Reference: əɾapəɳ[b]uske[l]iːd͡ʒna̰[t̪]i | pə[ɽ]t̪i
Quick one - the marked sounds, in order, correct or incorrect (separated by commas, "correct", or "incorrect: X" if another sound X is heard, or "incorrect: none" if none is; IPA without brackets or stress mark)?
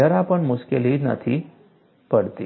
incorrect: m, correct, incorrect: t̪ʰ, correct